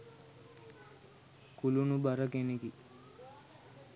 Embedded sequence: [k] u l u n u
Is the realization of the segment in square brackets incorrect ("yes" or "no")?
no